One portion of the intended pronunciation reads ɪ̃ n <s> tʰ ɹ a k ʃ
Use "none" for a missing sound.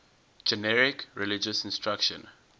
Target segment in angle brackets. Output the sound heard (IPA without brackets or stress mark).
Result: s